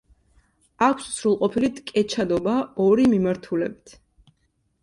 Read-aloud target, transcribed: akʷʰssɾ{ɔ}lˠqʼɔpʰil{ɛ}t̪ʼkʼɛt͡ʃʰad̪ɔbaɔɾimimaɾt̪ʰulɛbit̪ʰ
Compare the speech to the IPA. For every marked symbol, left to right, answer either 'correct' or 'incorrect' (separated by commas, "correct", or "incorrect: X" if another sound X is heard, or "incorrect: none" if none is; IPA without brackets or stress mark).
incorrect: u, incorrect: i